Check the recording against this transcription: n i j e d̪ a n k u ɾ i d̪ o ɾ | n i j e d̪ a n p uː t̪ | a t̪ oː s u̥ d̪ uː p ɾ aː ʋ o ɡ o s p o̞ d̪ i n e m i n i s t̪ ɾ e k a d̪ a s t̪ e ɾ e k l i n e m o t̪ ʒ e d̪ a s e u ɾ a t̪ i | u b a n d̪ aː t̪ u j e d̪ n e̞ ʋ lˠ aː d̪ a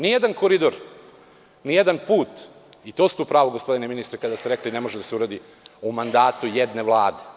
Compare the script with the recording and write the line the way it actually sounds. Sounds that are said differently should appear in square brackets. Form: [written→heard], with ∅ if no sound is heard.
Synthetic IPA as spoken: n i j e d̪ a n k [u→o] ɾ i d̪ o ɾ | n i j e d̪ a n p uː t̪ | [a→i] t̪ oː s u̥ [d̪→t̪] uː p ɾ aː ʋ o ɡ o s p o̞ d̪ i n e m i n i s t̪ ɾ e k a d̪ a s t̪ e ɾ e k l i n e m o [t̪→∅] ʒ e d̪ a s e u ɾ a [t̪→d̪] i | u [b→m] a n d̪ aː t̪ u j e d̪ n e̞ ʋ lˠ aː d̪ [a→e]